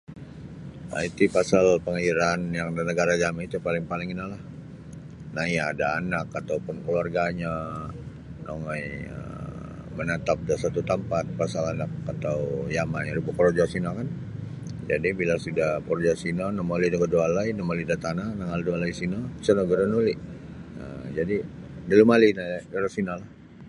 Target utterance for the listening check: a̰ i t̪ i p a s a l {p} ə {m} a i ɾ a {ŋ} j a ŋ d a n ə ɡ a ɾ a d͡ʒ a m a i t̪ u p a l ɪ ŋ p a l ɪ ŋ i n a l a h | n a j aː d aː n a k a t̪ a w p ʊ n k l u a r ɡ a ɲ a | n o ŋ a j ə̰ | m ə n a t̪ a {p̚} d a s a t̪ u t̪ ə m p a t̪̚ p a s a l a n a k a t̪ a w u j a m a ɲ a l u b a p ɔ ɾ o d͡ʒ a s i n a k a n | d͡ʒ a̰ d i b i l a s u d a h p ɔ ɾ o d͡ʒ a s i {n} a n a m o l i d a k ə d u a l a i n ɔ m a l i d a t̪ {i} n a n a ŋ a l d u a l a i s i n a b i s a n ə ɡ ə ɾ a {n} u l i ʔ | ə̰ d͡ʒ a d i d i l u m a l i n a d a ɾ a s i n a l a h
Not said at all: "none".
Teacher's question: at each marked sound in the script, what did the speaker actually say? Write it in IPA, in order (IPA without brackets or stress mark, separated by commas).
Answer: p, ŋ, n, p̚, n, a, n